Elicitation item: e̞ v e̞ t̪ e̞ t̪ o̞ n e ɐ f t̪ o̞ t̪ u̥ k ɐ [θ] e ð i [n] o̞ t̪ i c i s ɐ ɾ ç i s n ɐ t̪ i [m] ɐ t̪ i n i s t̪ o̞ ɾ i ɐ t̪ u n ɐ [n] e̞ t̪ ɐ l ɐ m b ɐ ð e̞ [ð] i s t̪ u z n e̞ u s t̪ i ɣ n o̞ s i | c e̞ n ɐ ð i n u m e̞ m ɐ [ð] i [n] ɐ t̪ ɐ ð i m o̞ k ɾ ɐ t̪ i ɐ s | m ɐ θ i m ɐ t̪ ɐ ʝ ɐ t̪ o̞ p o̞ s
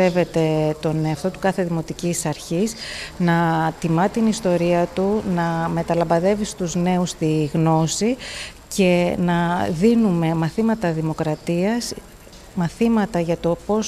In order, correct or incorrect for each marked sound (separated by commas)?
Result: correct, incorrect, correct, incorrect, incorrect, incorrect, incorrect